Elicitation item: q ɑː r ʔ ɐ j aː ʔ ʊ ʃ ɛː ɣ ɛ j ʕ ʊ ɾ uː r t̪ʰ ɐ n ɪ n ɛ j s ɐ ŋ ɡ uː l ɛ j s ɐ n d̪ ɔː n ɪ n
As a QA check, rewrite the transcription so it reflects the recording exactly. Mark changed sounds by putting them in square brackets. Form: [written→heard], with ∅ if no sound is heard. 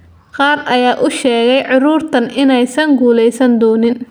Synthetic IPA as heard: q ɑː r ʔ ɐ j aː ʔ ʊ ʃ ɛː ɣ ɛ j ʕ ʊ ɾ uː r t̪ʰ ɐ n ɪ n ɛ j s ɐ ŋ ɡ uː l ɛ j s ɐ n d̪ ɔː n ɪ n